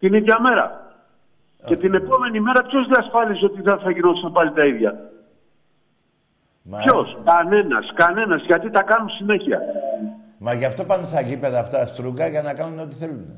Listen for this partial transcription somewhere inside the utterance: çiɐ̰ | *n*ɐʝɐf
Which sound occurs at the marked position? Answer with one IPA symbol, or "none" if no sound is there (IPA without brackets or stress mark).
m